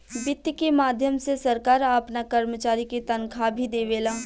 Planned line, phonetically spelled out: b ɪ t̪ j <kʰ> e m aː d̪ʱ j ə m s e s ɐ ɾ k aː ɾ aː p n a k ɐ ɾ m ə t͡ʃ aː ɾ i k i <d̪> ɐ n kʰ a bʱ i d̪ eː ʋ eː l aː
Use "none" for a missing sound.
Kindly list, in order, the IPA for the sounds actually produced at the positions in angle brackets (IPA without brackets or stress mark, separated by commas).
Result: k, t̪